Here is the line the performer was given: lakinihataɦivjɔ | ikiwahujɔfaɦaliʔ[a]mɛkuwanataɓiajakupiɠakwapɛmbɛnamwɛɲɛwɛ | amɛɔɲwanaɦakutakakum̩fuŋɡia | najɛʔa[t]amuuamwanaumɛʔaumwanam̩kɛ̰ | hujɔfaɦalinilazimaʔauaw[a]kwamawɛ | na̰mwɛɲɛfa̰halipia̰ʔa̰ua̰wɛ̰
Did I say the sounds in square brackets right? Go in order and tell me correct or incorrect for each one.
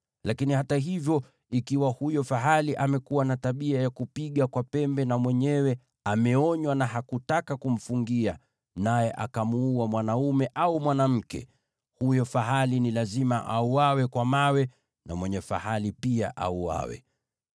correct, incorrect: k, incorrect: ɛ

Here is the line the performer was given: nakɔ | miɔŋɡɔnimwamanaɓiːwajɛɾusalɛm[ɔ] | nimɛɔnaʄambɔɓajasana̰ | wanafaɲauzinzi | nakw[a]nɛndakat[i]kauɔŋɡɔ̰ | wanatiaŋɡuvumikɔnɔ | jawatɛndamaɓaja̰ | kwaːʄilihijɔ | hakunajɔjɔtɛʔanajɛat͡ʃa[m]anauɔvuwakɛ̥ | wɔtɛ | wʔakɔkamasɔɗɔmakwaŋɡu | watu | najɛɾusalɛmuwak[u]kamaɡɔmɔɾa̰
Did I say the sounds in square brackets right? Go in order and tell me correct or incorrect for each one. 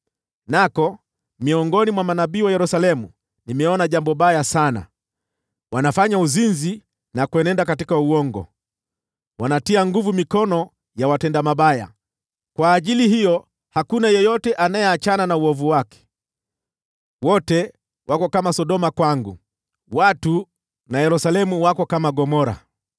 incorrect: u, incorrect: ɛ, correct, incorrect: n, incorrect: ɔ

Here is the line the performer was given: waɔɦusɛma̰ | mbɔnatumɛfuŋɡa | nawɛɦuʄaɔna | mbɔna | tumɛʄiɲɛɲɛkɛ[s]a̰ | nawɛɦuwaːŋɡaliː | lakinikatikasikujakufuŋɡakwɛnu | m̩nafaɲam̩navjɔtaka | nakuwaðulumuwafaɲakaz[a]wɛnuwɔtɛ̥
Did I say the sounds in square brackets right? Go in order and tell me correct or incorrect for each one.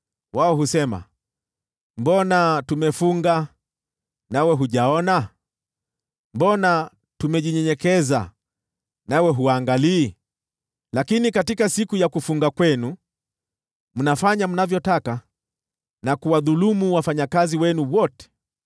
incorrect: z, incorrect: i

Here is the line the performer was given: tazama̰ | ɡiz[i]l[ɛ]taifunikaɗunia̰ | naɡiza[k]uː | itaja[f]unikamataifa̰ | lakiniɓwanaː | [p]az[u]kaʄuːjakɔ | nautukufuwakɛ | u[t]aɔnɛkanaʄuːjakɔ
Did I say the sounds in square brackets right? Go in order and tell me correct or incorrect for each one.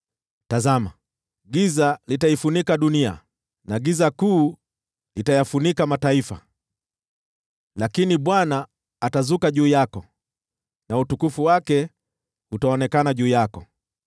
incorrect: a, incorrect: i, correct, correct, incorrect: t, correct, correct

